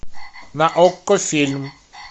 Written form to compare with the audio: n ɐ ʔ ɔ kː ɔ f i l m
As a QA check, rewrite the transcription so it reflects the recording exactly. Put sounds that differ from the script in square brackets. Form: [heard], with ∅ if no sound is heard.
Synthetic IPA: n [a] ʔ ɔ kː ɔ f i l m